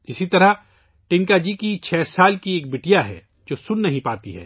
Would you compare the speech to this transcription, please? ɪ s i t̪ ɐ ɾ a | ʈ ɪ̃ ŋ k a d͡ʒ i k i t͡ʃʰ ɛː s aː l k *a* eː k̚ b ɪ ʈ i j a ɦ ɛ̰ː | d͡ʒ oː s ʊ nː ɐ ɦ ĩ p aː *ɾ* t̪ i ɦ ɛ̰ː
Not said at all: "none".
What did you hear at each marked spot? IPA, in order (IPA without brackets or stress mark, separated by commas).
i, none